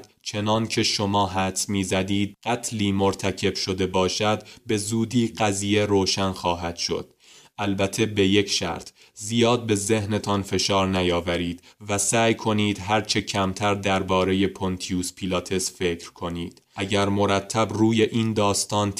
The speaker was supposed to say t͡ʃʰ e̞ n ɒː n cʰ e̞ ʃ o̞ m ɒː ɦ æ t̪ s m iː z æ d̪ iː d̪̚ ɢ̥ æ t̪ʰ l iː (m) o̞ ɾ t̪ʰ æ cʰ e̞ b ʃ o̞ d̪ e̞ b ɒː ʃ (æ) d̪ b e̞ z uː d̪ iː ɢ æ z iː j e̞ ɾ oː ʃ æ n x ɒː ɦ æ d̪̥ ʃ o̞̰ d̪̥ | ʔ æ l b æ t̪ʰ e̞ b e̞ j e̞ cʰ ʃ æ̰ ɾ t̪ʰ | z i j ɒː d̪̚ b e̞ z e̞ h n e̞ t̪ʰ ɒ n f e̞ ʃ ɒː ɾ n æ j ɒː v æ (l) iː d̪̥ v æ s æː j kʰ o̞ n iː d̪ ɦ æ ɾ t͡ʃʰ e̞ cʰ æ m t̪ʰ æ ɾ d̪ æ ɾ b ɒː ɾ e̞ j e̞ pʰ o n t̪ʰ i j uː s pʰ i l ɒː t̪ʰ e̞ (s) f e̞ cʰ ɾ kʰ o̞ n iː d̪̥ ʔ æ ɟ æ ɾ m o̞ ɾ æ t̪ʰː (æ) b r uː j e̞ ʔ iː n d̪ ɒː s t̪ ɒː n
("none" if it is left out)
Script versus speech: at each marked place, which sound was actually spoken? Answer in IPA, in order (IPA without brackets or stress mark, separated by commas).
m, æ, ɾ, s, æ